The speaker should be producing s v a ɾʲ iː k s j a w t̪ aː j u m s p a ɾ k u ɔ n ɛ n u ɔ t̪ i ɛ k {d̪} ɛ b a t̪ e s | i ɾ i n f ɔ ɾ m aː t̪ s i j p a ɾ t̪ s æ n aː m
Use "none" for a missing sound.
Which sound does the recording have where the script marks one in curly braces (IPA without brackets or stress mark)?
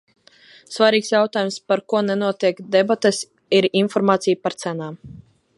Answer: d̪